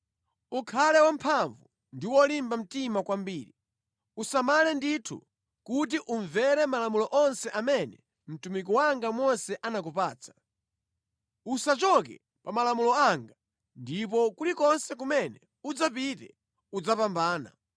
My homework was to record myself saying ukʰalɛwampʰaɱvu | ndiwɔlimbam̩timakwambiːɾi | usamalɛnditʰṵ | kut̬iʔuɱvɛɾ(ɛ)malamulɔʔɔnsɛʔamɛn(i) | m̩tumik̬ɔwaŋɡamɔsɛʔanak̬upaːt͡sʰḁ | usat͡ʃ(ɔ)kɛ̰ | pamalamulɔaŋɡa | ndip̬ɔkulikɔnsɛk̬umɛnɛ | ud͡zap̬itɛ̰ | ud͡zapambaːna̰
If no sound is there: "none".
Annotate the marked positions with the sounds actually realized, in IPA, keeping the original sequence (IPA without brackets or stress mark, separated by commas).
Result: ɛ, ɛ, ɔ